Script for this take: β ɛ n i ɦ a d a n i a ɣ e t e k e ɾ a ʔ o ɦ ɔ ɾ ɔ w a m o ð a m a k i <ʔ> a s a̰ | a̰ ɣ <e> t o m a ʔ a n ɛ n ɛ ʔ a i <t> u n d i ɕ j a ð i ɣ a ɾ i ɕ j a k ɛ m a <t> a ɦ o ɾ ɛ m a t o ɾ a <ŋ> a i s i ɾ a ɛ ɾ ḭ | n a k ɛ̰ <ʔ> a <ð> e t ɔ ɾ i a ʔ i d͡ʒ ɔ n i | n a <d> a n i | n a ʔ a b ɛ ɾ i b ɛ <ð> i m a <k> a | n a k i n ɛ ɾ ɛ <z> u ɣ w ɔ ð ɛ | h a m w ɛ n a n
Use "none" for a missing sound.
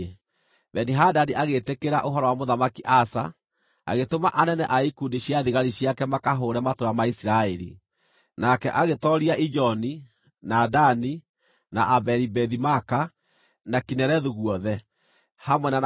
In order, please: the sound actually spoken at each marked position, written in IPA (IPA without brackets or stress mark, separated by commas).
ʔ, e, k, k, m, ʔ, ɣ, d, ð, k, ð